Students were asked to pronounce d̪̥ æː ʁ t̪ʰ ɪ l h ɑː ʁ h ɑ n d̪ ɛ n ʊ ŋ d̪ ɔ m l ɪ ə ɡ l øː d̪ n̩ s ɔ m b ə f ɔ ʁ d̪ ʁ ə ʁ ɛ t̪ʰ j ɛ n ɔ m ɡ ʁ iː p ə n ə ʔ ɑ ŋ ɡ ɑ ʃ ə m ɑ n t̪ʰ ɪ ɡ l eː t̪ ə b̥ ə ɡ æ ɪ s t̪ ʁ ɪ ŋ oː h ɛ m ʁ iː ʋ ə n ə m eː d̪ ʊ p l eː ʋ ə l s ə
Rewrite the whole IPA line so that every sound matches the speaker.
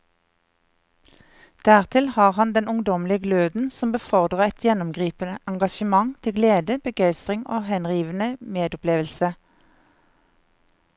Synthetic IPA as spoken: d̪̥ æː ʁ t̪ʰ ɪ l h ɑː ʁ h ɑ n d̪ ɛ n ʊ ŋ d̪ ɔ m l ɪ ə ɡ l øː d̪ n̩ s ɔ m b ə f ɔ ʁ d̪ ʁ ə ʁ ɛ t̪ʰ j ɛ n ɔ m ɡ ʁ iː p ə n ə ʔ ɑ ŋ ɡ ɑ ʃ ə m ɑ ŋ t̪ʰ ɪ ɡ l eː d̪ ə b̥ ə ɡ æ ɪ s t̪ ʁ ɪ ŋ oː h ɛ n ʁ iː ʋ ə n ə m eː d̪ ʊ p l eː ʋ ə l s ə